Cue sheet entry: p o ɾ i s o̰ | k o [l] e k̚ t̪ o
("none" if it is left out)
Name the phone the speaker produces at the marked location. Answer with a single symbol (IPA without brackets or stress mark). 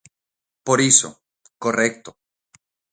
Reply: r